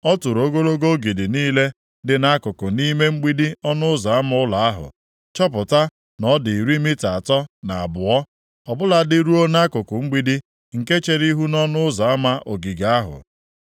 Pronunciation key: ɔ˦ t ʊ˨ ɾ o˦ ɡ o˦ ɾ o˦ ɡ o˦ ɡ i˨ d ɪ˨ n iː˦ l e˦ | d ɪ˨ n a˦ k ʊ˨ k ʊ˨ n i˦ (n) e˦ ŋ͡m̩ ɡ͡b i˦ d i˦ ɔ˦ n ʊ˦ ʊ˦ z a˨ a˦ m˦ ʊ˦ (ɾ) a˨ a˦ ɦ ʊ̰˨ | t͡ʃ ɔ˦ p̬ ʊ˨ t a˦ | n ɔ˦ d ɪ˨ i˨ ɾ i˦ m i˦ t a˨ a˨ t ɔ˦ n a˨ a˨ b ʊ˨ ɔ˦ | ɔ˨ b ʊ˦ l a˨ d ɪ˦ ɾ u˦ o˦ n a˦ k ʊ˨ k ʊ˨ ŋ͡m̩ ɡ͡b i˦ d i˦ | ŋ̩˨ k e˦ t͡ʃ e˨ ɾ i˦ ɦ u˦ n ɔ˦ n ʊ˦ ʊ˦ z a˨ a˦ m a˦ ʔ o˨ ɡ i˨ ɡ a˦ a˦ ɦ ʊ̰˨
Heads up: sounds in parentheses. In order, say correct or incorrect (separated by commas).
incorrect, incorrect